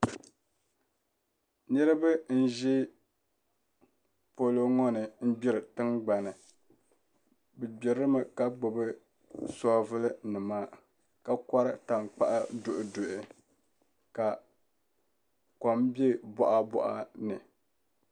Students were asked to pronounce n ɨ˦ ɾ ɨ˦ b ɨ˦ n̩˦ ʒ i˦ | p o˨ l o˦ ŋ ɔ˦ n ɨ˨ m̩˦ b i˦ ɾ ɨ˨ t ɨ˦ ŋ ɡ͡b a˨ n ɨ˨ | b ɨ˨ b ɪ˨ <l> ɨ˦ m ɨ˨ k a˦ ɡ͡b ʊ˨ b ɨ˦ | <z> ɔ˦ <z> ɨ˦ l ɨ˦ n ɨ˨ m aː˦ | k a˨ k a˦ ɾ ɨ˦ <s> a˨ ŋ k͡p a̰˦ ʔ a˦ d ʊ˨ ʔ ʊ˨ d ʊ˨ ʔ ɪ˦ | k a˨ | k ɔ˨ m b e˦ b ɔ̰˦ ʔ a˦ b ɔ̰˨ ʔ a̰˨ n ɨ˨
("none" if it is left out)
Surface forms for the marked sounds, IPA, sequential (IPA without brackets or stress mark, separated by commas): ɾ, s, v, t